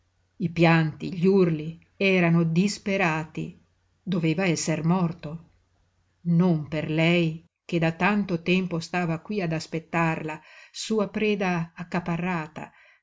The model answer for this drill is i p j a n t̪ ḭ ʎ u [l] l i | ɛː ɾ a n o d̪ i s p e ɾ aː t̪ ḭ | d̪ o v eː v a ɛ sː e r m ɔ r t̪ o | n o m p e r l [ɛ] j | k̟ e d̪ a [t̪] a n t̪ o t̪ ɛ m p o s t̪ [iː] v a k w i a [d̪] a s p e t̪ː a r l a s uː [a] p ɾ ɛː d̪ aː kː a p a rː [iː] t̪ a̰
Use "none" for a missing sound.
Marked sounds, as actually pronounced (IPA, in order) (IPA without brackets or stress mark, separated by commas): r, ɛ, t̪, aː, d̪, a, aː